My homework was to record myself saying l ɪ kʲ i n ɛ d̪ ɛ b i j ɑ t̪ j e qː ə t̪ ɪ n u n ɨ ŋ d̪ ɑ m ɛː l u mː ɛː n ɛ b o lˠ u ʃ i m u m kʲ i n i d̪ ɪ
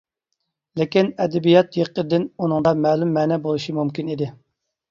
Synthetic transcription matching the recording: l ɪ kʲ i n ɛ d̪ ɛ b i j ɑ t̪ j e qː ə d̪ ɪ n u n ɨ ŋ d̪ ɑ m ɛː l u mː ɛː n ɛ b o lˠ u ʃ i m u m kʲ i n i d̪ ɪ